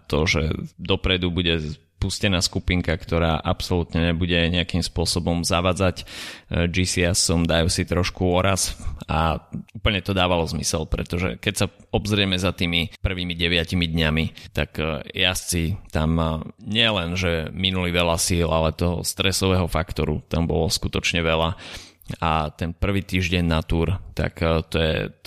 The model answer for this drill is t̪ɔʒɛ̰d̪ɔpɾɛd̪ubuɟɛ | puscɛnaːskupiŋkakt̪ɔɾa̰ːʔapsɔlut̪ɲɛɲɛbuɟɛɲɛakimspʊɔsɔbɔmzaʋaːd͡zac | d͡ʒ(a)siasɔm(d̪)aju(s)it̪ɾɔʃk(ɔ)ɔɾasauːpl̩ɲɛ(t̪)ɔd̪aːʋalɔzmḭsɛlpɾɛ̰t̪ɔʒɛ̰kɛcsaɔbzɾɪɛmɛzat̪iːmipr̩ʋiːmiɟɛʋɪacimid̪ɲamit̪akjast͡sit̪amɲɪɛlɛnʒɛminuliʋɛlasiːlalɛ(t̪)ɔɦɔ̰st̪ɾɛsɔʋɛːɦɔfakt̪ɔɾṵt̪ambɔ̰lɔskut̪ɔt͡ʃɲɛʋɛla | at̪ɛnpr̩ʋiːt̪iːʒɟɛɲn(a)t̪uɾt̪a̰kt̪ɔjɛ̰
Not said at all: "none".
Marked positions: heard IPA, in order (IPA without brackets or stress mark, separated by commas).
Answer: i, d̪, s, u, t̪, t̪, a